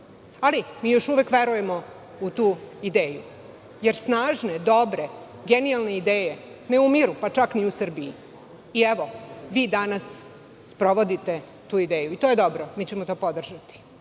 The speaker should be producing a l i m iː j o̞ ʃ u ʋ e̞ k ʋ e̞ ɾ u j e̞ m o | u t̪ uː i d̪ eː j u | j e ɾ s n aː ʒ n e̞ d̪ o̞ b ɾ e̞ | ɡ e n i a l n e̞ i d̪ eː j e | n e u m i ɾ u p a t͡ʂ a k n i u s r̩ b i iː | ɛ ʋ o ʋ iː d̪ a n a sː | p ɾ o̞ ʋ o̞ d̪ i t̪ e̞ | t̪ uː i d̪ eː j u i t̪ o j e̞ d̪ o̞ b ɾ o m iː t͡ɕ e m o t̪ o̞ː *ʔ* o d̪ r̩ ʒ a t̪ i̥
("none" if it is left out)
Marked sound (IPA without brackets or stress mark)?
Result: p